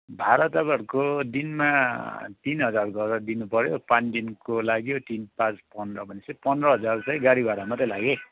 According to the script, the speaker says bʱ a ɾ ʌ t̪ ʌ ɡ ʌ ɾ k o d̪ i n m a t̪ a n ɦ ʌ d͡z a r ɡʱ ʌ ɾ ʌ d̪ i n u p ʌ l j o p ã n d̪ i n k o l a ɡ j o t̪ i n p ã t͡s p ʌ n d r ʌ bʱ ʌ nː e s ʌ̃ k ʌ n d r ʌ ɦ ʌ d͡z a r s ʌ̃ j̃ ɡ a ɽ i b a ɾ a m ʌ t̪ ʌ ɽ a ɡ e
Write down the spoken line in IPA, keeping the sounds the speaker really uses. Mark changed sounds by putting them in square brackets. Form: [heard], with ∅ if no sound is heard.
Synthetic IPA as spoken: bʱ a ɾ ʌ t̪ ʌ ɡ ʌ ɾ k o d̪ i n m a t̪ [i] n ɦ ʌ d͡z a r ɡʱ ʌ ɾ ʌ d̪ i n u p ʌ [ɾ] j o p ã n d̪ i n k o l a ɡ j o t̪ i n p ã t͡s p ʌ n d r ʌ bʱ ʌ [n] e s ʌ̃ [p] ʌ n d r ʌ ɦ ʌ d͡z a r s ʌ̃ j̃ ɡ a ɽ i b a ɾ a m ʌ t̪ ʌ [l] a ɡ e